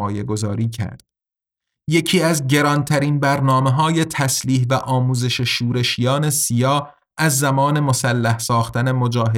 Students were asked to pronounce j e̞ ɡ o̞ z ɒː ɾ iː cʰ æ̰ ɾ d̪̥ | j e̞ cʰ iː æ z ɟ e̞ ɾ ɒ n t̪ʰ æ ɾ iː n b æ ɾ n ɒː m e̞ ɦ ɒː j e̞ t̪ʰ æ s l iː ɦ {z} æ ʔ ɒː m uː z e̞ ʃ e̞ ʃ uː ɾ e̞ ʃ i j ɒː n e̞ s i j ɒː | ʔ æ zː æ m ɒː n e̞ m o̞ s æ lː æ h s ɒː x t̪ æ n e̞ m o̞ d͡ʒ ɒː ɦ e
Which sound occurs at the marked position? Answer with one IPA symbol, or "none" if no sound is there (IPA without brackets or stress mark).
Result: v